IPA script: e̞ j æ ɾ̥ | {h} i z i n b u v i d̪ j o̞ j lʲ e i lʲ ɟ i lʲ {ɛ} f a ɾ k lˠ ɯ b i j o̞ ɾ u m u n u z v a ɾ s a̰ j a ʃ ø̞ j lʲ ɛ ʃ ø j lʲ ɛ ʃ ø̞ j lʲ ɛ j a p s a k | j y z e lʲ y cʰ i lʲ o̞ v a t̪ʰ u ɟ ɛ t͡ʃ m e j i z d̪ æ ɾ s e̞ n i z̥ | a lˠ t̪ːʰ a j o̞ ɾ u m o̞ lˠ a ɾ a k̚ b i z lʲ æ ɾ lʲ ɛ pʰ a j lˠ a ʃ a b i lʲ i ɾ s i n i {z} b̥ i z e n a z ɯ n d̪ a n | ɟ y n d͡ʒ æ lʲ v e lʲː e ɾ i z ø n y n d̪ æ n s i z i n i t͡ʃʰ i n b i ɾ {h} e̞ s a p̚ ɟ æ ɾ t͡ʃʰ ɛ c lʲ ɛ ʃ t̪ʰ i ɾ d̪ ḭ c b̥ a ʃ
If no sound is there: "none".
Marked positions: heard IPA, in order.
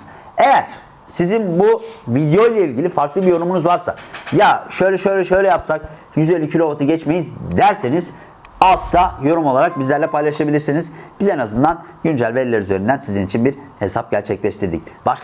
s, i, z, h

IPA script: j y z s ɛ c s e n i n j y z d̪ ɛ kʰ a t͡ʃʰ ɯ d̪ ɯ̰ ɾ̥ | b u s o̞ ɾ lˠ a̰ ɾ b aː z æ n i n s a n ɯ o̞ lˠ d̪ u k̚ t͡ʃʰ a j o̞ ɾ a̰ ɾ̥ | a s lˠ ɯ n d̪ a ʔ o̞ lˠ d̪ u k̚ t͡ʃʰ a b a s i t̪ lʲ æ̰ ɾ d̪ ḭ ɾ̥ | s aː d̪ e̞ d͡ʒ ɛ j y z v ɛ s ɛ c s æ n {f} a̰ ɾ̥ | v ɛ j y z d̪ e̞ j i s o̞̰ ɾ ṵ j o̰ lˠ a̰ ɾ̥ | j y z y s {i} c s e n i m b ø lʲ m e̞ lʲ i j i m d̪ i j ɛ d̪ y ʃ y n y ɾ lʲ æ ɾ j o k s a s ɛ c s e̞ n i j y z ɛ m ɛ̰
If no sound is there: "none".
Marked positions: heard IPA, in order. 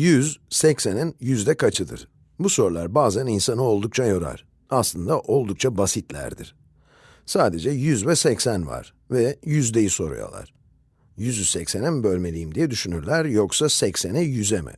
v, ɛ

